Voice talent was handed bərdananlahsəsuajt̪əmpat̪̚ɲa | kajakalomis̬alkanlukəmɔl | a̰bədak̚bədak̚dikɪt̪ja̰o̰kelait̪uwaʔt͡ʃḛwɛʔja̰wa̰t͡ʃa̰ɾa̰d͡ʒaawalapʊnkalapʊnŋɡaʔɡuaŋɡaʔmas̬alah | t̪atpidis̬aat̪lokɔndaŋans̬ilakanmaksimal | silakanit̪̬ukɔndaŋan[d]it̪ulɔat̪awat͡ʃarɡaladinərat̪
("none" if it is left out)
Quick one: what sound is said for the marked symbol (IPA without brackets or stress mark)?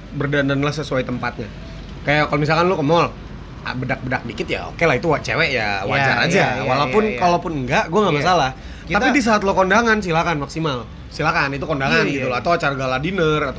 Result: ɡ